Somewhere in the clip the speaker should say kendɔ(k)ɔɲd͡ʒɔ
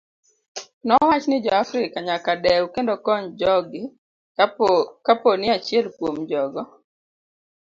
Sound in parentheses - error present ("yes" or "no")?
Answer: no